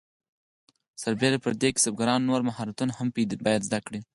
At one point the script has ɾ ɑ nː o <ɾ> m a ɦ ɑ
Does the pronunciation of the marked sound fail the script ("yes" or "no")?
no